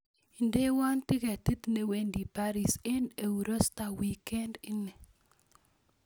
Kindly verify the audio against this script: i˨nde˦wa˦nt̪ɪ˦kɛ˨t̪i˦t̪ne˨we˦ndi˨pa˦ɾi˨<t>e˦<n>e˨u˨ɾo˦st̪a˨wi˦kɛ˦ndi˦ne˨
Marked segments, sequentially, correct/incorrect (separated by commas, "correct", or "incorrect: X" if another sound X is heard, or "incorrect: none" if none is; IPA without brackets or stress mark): incorrect: s, correct